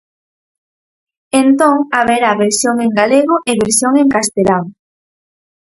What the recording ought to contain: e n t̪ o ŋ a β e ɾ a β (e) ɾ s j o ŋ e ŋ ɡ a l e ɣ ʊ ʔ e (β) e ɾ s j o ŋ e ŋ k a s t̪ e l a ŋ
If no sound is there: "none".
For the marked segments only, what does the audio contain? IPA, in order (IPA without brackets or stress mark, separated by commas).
e, β